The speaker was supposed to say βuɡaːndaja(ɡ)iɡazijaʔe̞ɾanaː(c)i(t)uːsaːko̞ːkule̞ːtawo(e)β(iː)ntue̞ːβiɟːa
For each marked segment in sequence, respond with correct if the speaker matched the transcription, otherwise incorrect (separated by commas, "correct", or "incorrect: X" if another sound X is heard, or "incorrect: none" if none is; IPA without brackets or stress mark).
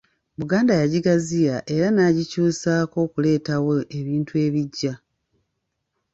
incorrect: ɟ, incorrect: ɟ, incorrect: c, correct, correct